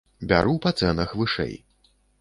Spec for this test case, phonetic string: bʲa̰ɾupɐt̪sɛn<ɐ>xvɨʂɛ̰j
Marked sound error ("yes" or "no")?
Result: no